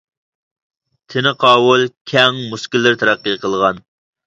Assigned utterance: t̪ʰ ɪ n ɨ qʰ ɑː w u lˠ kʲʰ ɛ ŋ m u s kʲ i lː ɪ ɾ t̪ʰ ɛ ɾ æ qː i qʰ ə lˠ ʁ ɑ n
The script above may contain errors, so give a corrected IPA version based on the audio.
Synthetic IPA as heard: t̪ʰ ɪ n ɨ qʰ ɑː w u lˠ kʲʰ ɛ ŋ m u s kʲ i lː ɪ ɾ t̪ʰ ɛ ɾ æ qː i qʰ ə lˠ ʁ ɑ n